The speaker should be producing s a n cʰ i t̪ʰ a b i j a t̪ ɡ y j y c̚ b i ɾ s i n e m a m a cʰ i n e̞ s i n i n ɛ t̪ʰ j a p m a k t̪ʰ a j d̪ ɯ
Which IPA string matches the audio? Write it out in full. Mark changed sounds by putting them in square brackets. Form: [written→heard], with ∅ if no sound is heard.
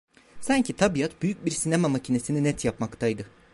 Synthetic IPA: s a [n→ɲ] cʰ i t̪ʰ a b i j a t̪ [ɡ→b] y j y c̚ b i ɾ s i n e m a m a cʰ i n e̞ s i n i n ɛ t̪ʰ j a p m a k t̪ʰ a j d̪ ɯ